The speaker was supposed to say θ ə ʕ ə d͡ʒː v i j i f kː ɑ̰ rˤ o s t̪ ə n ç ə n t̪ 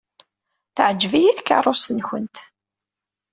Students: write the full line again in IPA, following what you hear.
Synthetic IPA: θ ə ʕ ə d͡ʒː v i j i θ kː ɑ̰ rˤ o s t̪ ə n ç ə n t̪

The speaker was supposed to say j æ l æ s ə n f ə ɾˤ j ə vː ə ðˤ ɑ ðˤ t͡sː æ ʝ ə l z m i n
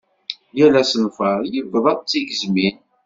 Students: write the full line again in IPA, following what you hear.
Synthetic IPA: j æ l æ s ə n f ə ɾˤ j ə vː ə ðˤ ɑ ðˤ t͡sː i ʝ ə z m i n

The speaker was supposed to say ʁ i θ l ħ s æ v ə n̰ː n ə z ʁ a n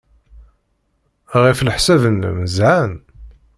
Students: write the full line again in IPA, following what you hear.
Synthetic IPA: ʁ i f l ħ s æ v ə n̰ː m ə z ʕ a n

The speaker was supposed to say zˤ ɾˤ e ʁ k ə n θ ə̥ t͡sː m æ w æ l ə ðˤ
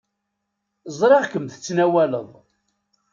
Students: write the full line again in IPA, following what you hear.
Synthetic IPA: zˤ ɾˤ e ʁ k ə m θ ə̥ t͡sː n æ w æ l ə ðˤ

